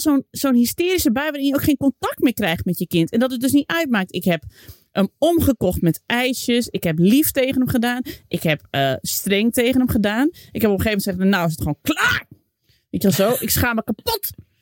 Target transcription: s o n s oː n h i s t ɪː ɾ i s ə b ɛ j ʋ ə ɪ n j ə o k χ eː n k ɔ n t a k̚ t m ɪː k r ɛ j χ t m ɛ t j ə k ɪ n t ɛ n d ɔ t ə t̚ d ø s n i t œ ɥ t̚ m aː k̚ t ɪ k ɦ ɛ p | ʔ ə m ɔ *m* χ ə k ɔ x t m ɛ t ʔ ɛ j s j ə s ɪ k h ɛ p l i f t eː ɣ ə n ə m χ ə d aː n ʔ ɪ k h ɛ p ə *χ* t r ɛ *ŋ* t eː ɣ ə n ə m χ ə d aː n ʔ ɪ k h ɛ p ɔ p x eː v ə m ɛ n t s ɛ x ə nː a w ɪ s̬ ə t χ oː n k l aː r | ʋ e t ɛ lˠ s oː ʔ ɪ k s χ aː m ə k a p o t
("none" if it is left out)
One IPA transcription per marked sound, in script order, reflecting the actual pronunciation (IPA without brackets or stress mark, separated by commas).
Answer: m, s, ŋ